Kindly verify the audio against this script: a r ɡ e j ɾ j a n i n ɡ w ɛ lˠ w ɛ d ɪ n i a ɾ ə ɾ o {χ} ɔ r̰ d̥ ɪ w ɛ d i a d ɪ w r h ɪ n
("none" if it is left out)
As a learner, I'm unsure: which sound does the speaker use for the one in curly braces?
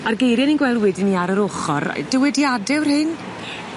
χ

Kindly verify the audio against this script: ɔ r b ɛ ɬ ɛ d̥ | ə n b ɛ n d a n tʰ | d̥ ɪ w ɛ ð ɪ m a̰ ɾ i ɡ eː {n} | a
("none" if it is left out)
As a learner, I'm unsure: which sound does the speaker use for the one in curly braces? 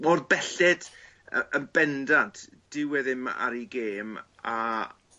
m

